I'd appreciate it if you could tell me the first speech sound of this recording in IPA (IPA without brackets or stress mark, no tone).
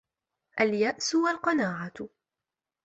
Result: ʔ